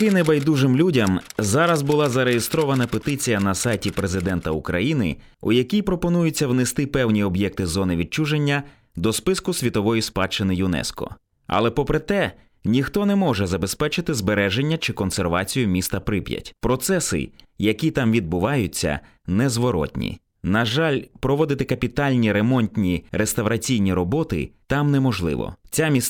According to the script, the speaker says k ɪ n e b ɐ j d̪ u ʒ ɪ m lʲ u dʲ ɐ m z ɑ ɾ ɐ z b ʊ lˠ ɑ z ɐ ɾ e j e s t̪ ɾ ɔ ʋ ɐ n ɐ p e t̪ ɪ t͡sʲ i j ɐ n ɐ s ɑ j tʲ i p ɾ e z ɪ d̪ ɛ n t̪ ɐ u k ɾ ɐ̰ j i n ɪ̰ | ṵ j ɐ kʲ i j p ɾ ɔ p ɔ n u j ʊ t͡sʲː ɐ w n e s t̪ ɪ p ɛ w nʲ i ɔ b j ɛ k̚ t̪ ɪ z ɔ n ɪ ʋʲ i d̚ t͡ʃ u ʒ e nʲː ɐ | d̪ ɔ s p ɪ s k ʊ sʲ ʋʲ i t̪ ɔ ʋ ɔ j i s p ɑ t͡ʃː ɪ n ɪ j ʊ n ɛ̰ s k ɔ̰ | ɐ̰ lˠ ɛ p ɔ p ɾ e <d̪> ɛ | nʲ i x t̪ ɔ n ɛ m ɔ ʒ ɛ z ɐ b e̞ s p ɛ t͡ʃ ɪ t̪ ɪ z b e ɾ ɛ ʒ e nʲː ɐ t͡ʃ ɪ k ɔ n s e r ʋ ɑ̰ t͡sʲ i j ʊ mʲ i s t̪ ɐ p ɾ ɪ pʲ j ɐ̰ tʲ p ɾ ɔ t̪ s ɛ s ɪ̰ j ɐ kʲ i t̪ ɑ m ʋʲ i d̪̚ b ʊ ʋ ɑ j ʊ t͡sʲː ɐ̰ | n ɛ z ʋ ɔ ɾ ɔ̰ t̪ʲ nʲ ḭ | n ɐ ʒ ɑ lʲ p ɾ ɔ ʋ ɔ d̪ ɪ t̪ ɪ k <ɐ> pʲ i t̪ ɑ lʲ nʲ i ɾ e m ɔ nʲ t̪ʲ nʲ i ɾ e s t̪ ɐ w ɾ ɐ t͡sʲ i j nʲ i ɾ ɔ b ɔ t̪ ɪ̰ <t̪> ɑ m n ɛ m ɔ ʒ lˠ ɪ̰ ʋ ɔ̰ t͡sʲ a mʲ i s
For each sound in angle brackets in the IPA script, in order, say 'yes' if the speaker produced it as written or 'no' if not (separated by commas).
no, yes, yes